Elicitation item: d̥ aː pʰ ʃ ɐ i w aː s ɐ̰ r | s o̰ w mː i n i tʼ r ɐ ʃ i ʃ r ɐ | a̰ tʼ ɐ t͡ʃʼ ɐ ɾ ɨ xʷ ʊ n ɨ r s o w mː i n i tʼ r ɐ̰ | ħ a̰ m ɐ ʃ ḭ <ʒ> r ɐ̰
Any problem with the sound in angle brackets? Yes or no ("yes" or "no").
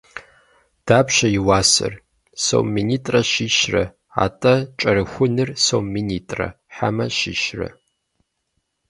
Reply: yes